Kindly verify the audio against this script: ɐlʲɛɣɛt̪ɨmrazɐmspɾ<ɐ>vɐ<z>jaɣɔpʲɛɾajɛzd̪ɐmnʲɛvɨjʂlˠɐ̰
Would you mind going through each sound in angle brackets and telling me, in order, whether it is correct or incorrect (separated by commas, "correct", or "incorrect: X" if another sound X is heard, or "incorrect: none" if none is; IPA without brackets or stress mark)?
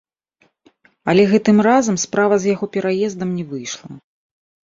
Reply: incorrect: a, correct